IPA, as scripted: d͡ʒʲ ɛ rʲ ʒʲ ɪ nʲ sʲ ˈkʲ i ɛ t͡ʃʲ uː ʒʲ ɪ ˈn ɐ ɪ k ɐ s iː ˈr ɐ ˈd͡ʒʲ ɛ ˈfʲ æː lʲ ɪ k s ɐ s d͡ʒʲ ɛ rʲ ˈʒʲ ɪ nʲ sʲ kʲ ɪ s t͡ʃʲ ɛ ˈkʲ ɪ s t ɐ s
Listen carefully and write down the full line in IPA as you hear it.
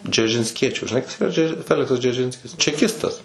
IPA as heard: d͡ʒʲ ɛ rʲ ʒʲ ɪ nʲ sʲ ˈkʲ i ɛ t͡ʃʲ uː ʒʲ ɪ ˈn ɐ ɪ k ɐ s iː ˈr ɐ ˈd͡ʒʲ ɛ ˈfʲ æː lʲ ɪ k s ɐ s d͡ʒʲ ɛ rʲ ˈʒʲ ɪ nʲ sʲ kʲ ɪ s t͡ʃʲ ɛ ˈkʲ ɪ s t ɐ s